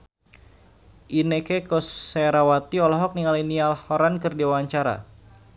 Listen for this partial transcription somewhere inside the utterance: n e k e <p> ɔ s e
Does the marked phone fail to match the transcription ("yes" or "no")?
yes